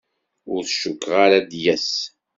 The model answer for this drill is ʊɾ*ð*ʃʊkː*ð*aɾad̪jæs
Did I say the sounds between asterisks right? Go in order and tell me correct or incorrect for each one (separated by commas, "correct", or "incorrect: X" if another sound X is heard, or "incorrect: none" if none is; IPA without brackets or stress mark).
incorrect: θ, incorrect: ʁ